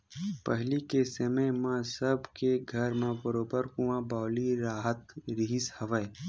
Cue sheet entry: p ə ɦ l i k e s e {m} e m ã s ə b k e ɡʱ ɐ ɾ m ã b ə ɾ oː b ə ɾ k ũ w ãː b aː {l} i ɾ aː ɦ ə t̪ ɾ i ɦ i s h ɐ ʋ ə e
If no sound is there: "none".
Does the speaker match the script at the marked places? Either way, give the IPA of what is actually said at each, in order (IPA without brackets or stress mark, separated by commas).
m, l